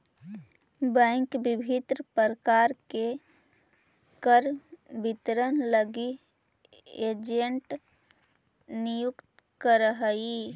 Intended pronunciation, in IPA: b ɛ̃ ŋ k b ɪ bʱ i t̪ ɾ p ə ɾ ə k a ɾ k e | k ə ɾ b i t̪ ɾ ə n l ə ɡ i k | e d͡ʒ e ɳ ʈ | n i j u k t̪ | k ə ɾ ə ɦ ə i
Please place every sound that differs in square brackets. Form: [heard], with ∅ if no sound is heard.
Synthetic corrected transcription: b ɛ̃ ŋ k b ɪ bʱ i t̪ ɾ p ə ɾ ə k a ɾ k e | k ə ɾ b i t̪ ɾ ə n l ə ɡ i [∅] | e d͡ʒ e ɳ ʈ | n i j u k t̪ | k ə ɾ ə ɦ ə i